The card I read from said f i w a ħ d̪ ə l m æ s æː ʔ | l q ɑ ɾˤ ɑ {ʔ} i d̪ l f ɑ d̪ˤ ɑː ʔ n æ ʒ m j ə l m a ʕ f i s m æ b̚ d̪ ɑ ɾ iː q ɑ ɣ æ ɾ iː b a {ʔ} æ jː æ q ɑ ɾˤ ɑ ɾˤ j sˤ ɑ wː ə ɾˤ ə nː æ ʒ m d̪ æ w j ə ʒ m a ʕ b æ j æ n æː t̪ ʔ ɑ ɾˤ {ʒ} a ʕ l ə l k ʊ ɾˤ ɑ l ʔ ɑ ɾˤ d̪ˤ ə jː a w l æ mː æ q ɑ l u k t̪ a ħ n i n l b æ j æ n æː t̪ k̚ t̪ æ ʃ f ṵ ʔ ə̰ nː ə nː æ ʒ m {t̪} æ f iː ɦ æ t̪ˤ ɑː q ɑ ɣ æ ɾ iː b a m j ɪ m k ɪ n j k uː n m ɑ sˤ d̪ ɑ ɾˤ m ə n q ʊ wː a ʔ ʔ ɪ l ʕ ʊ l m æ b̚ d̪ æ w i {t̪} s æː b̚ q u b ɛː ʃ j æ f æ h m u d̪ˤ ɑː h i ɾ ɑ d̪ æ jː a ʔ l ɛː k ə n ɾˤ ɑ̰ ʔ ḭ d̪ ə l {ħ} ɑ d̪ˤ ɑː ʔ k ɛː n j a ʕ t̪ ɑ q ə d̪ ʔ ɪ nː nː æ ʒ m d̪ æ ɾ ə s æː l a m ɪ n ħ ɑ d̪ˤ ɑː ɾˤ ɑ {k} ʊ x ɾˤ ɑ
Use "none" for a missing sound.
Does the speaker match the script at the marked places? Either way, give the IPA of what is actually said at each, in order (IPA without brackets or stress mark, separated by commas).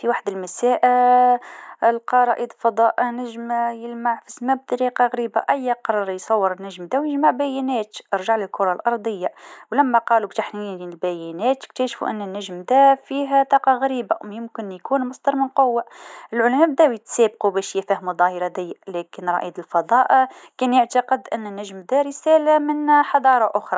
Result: ʔ, ʔ, ʒ, d̪, t̪, f, ʔ